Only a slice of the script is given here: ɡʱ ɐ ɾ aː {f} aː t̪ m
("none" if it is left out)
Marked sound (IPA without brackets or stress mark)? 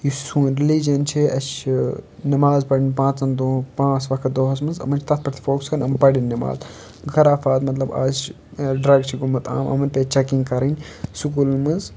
f